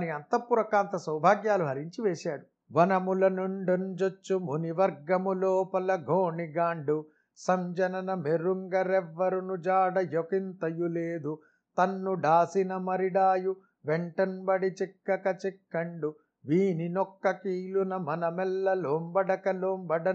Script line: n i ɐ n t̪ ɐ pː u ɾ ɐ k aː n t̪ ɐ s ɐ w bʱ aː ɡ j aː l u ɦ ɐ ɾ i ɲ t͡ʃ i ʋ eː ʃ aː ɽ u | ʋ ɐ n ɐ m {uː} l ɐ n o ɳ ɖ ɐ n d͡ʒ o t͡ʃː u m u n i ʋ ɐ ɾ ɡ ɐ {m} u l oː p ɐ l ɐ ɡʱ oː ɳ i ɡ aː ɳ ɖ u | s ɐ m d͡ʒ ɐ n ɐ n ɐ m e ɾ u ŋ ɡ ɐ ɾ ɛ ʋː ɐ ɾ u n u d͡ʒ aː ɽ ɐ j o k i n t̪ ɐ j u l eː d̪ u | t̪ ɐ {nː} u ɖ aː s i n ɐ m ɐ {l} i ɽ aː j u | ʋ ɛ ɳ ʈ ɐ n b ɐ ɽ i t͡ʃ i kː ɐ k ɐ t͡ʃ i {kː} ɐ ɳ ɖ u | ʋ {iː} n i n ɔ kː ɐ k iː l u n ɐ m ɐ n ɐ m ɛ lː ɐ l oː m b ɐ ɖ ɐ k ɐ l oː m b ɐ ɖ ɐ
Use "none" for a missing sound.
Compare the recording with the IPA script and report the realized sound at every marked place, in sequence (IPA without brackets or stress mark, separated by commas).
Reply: u, m, nː, ɾ, kː, iː